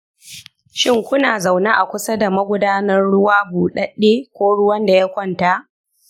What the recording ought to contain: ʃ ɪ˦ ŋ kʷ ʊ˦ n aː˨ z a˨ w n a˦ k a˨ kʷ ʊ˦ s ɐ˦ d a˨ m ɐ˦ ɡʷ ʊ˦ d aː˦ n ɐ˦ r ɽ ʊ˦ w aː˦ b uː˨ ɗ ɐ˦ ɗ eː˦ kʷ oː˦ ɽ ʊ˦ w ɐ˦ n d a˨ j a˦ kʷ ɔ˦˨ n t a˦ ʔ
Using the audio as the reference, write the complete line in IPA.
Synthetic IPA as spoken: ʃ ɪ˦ ŋ kʷ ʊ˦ n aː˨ z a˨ w n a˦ ʔ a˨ kʷ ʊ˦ s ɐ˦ d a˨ m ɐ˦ ɡʷ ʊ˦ d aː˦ n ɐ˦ r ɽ ʊ˦ w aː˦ b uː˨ ɗ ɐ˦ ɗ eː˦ kʷ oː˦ ɽ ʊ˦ w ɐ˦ n d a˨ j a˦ kʷ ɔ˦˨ n t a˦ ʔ